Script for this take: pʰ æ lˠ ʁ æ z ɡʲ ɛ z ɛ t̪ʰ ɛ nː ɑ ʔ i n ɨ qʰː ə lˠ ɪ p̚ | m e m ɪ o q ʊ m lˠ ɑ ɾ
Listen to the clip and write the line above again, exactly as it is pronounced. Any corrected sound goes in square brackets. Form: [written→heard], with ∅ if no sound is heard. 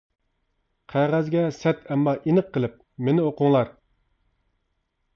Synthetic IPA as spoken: [pʰ→qʰ] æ [lˠ→∅] ʁ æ z ɡʲ ɛ [z→s] ɛ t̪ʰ ɛ [nː→mː] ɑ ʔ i n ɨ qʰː ə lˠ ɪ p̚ | m e [m→n] ɪ o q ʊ [m→ŋ] lˠ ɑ ɾ